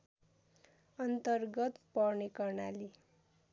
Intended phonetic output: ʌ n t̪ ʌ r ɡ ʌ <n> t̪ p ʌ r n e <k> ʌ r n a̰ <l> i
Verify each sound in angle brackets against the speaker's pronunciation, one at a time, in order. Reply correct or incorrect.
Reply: incorrect, correct, correct

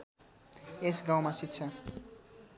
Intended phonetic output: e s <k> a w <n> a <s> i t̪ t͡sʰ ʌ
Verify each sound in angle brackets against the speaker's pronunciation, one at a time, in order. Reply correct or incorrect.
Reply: incorrect, incorrect, correct

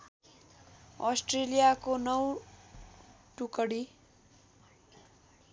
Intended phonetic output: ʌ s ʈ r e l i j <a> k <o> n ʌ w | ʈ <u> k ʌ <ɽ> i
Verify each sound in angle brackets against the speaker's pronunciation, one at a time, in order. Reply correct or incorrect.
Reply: correct, correct, correct, correct

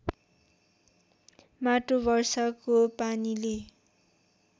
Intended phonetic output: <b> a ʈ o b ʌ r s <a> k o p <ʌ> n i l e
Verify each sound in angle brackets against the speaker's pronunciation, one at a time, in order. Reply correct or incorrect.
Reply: incorrect, incorrect, incorrect

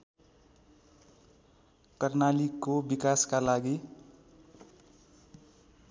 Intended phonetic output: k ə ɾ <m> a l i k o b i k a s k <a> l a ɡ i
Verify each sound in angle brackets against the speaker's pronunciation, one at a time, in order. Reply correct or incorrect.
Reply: incorrect, correct

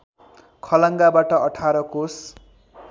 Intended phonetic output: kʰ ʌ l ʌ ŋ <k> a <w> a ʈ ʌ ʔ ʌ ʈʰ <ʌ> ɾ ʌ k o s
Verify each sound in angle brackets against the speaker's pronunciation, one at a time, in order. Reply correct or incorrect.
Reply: incorrect, incorrect, incorrect

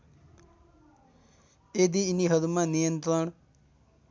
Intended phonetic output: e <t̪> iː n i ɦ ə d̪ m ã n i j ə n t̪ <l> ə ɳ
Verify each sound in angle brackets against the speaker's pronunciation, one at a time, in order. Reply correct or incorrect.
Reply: incorrect, incorrect

